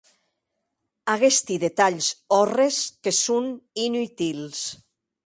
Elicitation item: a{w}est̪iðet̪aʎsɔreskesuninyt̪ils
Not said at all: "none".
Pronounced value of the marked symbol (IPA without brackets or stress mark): ɣ